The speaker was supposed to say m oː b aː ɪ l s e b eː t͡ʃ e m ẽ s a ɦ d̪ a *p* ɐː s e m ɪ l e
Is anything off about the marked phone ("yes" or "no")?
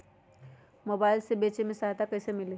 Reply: yes